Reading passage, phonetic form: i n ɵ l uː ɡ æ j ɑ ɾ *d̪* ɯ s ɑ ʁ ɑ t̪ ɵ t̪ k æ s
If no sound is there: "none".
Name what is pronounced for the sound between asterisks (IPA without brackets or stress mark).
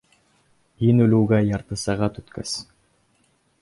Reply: t̪